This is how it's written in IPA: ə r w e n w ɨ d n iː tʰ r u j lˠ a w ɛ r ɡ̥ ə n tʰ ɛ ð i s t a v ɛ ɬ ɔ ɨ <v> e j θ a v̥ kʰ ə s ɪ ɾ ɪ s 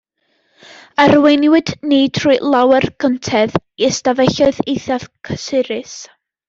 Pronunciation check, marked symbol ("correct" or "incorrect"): incorrect